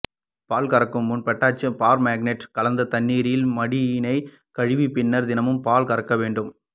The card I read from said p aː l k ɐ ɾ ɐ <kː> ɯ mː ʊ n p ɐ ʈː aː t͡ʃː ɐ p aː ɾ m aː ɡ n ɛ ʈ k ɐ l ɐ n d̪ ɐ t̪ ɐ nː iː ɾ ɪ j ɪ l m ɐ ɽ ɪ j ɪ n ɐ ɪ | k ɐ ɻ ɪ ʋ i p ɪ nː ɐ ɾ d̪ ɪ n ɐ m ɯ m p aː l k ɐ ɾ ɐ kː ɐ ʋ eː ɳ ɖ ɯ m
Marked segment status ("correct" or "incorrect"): correct